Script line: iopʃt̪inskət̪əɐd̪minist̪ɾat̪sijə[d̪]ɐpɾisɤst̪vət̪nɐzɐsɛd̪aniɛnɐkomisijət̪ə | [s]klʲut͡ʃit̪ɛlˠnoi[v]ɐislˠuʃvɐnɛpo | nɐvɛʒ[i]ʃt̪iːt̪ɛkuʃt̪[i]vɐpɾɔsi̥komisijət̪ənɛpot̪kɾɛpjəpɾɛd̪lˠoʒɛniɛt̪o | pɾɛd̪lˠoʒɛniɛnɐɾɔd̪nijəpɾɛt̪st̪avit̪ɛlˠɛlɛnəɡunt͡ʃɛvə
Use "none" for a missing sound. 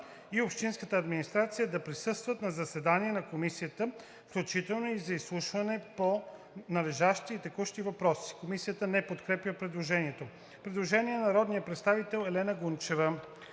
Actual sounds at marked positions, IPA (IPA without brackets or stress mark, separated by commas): d̪, f, z, a, i